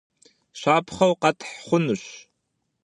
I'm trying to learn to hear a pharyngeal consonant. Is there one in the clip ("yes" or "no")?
yes